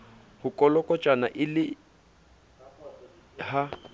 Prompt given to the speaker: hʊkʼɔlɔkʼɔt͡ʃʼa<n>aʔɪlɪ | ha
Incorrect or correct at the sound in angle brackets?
correct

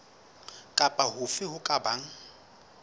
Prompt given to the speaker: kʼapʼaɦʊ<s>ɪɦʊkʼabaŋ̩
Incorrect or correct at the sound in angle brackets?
incorrect: f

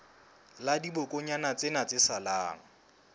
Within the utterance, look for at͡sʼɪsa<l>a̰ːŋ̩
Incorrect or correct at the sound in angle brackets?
correct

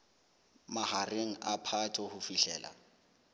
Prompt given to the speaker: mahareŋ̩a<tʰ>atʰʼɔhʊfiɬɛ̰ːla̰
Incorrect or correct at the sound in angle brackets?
incorrect: pʰ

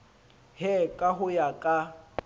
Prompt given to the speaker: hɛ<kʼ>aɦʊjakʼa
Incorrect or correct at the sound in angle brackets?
correct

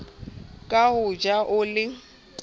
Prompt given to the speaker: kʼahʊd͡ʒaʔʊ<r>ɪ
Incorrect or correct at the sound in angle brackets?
incorrect: l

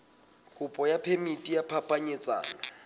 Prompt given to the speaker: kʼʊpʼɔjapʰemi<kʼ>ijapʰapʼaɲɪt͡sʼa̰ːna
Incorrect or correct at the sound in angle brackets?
incorrect: tʼ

